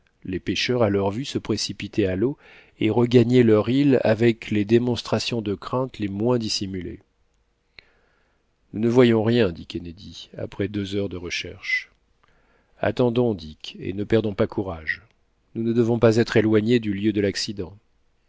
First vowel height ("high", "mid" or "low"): mid